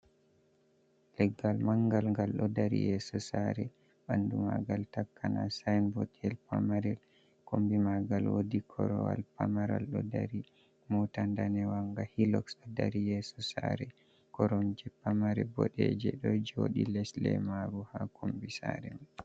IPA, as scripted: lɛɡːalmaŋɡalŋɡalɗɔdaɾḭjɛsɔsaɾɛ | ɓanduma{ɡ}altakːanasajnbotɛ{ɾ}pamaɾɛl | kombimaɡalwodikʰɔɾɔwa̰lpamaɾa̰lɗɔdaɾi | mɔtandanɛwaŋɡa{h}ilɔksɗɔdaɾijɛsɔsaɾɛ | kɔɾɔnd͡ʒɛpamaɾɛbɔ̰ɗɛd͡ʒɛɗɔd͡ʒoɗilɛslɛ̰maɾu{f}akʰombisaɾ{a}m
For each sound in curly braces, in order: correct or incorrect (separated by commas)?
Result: correct, incorrect, correct, incorrect, incorrect